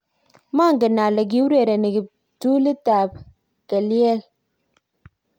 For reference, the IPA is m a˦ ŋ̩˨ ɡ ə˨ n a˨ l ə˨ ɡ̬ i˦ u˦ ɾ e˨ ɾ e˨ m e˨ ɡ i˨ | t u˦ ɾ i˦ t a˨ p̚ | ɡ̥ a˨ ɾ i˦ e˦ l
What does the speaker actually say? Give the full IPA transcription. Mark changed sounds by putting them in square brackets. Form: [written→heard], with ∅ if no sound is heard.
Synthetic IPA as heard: m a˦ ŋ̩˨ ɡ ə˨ n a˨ l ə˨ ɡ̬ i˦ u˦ ɾ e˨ ɾ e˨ [m→n] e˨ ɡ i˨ | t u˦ [ɾ→l] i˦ t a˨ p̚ | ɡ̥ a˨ [ɾ→l] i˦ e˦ l